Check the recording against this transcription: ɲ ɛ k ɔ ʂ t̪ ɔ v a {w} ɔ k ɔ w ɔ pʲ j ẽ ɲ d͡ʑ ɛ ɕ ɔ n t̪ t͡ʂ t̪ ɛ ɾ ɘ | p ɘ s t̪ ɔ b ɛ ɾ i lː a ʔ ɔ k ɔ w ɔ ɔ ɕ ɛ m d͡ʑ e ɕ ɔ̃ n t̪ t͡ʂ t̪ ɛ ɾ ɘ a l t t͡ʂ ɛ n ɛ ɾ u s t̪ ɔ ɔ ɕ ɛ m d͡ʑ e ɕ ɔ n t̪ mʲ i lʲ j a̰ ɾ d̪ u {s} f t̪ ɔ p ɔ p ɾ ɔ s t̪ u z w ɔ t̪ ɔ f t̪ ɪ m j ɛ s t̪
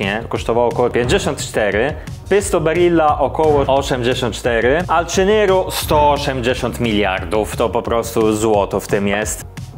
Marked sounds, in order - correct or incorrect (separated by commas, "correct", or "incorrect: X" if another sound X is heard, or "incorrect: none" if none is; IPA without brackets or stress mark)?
correct, incorrect: none